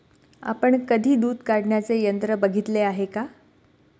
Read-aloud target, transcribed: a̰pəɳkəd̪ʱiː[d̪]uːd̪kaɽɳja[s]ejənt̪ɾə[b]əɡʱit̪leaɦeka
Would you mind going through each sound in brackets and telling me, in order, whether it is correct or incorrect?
correct, incorrect: t͡s, correct

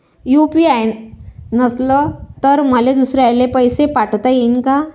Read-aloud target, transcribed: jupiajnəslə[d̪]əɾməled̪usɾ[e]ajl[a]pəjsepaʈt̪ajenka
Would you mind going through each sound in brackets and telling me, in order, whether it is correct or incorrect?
incorrect: t̪, correct, incorrect: e

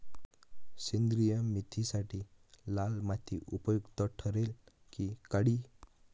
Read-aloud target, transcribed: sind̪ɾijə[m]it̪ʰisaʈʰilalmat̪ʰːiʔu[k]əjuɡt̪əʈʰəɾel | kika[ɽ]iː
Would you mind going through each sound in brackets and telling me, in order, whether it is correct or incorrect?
correct, incorrect: p, correct

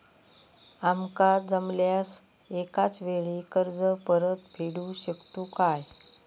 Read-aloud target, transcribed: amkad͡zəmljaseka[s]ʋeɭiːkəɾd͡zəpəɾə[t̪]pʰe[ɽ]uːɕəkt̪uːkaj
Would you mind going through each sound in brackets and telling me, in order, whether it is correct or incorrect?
incorrect: t͡s, correct, correct

